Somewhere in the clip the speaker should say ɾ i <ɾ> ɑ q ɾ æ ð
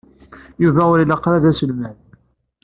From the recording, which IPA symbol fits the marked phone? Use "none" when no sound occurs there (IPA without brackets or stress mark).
l